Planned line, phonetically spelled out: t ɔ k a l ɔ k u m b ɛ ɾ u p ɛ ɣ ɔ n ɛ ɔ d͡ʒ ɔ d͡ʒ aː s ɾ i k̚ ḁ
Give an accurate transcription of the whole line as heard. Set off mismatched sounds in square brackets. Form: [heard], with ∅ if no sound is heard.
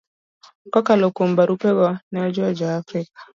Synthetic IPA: [k] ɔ k a l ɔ k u m b [a] ɾ u p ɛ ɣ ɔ n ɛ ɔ d͡ʒ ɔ d͡ʒ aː [f] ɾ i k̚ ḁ